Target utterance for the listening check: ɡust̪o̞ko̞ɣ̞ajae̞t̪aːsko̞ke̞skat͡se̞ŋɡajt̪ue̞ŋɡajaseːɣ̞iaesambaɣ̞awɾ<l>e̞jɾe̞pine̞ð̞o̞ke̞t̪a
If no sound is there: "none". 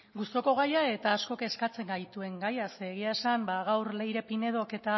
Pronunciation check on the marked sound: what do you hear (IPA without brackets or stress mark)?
l